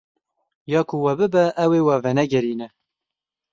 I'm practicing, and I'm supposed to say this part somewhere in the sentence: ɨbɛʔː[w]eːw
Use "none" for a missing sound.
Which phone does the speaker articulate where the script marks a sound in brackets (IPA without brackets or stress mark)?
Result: w